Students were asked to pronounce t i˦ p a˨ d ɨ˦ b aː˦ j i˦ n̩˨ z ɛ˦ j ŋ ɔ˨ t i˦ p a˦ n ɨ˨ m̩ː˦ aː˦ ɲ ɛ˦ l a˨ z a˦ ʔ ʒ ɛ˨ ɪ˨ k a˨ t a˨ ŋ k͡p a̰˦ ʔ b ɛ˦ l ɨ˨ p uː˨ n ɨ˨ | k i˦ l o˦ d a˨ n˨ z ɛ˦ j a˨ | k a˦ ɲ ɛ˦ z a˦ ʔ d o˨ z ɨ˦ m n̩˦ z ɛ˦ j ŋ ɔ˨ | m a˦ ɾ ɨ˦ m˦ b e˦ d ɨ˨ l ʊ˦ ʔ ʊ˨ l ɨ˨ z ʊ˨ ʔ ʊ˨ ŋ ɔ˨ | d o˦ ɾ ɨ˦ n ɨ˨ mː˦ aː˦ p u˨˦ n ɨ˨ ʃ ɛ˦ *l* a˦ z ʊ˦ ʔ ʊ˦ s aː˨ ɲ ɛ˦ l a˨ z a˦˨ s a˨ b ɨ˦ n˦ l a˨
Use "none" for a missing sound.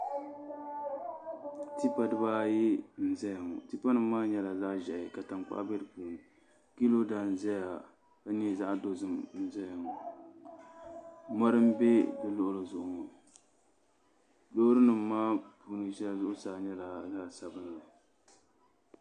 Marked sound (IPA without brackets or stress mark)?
l